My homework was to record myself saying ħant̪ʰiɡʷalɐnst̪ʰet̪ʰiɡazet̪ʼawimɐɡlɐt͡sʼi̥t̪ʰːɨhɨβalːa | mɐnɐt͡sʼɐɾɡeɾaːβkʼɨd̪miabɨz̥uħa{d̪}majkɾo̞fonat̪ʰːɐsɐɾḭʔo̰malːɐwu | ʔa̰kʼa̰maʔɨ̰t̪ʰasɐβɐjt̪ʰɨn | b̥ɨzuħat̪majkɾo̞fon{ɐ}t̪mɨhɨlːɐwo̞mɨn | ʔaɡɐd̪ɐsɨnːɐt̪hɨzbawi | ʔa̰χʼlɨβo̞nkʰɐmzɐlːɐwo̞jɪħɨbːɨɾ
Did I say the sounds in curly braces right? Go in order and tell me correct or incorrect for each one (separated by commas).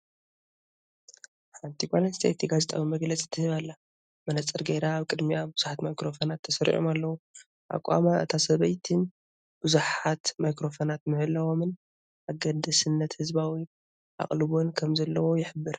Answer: incorrect, incorrect